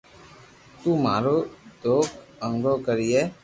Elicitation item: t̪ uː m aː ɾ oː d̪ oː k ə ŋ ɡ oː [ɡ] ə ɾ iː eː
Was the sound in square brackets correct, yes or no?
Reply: no